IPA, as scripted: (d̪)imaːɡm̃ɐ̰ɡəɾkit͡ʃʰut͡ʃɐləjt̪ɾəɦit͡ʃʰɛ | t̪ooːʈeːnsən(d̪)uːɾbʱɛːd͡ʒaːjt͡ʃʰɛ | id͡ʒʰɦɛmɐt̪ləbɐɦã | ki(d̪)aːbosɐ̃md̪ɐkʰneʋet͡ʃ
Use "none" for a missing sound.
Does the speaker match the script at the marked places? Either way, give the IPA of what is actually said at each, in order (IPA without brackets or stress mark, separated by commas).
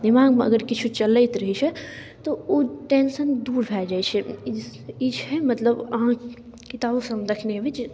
d̪, d̪, t̪